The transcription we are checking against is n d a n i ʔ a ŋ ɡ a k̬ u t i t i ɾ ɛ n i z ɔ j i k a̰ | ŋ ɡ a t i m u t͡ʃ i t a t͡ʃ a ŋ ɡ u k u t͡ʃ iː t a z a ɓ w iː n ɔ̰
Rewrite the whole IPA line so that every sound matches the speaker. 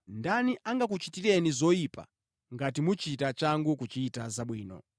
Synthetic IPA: n d a n i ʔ a ŋ ɡ a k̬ u t͡ʃ i t i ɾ ɛ n i z ɔ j i p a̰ | ŋ ɡ a t i m u t͡ʃ i t a t͡ʃ a ŋ ɡ u k u t͡ʃ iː t a z a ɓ w iː n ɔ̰